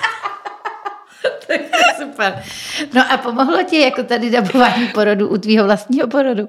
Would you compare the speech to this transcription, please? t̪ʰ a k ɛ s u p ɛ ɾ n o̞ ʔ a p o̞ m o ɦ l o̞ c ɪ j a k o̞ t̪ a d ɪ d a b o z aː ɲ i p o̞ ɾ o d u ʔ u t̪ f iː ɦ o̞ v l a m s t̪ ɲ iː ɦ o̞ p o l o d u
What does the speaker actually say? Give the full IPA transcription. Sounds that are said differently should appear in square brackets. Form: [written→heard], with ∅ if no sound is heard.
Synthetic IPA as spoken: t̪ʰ a k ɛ s u p ɛ ɾ n o̞ ʔ a p o̞ m o ɦ l o̞ c ɪ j a k o̞ t̪ a d ɪ d a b o [z→v] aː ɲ i p o̞ ɾ o d u ʔ u t̪ [f→v] iː ɦ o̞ v l a [m→∅] s t̪ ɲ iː ɦ o̞ p o [l→ɾ] o d u